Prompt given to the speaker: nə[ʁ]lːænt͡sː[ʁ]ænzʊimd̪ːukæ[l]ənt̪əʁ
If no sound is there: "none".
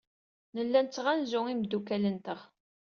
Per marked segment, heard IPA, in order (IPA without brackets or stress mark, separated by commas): none, ʁ, l